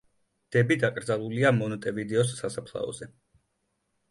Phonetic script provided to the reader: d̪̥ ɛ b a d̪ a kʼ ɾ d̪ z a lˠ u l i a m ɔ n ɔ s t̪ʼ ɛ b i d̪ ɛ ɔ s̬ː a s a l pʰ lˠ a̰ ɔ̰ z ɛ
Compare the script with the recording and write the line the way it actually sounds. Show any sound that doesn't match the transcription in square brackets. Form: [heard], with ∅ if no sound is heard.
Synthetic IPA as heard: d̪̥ ɛ b [i] d̪ a kʼ ɾ d̪ z a lˠ u l i a m ɔ n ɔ [∅] t̪ʼ ɛ [v] i d̪ ɛ ɔ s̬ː a s a [∅] pʰ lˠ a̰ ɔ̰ z ɛ